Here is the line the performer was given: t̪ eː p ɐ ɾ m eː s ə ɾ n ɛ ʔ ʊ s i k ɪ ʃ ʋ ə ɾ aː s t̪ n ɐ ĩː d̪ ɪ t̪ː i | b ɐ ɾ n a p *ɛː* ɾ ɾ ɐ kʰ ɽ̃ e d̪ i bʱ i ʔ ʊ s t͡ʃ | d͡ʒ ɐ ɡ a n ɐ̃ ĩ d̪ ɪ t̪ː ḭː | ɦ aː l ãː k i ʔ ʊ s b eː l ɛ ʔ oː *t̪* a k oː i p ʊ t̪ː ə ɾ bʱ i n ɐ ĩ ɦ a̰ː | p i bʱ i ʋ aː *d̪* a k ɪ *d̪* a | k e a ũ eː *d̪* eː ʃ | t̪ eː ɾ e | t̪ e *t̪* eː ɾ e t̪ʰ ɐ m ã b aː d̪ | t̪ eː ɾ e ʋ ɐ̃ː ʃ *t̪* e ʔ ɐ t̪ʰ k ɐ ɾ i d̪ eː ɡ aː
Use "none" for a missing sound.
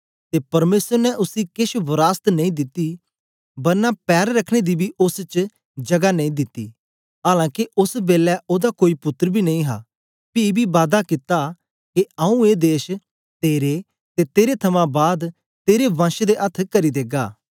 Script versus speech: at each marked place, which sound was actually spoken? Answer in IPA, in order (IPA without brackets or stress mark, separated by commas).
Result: ɛː, d̪, d̪, t̪, d̪, t̪, d̪